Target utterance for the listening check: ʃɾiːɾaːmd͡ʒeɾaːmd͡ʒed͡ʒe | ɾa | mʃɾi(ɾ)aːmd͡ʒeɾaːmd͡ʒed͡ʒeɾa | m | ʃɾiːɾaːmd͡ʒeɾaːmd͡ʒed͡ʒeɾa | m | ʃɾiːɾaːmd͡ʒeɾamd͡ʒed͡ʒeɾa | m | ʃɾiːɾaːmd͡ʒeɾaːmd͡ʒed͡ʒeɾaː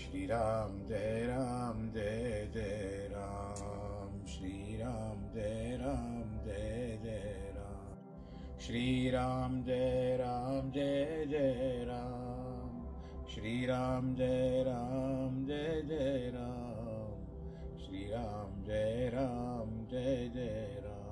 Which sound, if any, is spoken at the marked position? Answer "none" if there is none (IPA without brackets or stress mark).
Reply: ɾ